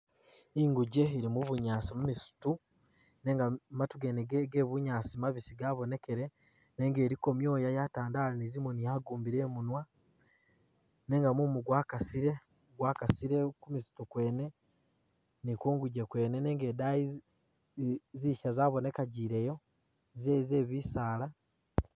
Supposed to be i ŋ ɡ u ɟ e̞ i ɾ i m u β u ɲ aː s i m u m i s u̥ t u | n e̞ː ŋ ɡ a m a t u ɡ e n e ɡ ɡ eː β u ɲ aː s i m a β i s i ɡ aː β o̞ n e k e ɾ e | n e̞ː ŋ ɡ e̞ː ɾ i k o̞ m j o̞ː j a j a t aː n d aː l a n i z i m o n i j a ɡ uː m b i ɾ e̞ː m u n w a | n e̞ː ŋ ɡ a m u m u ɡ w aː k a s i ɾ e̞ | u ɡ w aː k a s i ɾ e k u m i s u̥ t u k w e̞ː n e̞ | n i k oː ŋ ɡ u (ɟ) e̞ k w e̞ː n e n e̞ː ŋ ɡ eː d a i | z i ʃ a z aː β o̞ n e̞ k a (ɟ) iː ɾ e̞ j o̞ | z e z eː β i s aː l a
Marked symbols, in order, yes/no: yes, yes

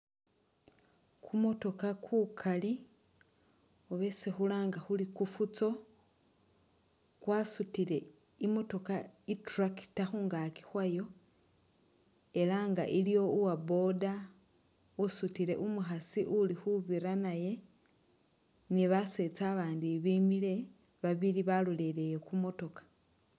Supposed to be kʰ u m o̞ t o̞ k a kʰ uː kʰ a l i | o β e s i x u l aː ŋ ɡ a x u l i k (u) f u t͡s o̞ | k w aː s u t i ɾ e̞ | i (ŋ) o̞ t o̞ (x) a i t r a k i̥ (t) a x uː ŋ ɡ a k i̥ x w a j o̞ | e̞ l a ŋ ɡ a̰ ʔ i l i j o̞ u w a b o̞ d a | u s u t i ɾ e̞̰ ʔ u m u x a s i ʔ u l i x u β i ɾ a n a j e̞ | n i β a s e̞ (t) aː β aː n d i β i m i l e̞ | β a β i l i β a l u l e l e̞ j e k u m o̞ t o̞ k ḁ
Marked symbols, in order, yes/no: yes, no, no, yes, no

